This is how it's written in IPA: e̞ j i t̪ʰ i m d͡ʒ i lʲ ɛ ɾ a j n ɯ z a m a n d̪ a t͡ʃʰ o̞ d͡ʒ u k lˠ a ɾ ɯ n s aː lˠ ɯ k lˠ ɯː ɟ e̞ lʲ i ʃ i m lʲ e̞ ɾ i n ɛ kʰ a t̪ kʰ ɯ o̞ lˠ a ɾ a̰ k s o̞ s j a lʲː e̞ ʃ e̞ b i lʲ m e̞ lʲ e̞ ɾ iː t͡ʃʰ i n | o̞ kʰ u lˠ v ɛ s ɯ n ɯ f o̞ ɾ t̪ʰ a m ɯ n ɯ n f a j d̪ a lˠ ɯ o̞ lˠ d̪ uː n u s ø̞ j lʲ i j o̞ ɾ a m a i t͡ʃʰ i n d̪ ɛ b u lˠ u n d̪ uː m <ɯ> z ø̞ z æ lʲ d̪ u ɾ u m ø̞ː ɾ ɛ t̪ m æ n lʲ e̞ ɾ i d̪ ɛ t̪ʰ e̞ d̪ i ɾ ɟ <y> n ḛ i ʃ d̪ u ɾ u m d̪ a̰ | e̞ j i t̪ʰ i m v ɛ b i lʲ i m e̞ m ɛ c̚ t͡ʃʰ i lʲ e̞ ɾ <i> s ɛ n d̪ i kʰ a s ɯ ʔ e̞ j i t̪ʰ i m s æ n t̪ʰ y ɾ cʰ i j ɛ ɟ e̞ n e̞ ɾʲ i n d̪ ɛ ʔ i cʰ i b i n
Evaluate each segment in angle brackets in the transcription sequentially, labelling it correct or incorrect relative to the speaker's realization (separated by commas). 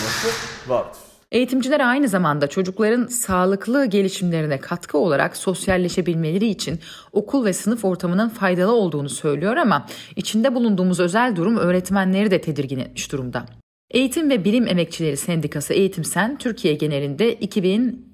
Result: incorrect, incorrect, correct